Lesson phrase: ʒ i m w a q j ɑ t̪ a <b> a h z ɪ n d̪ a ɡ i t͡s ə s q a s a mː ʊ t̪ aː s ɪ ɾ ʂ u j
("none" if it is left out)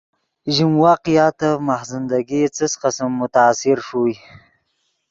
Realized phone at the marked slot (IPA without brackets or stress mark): m